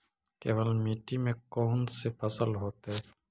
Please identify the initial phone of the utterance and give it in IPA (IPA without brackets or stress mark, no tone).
k